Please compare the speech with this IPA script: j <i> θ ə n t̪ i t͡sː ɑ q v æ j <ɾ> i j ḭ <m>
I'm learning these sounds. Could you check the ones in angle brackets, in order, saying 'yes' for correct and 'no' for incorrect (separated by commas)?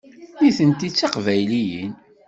yes, no, no